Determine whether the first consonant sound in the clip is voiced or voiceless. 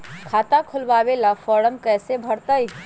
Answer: voiceless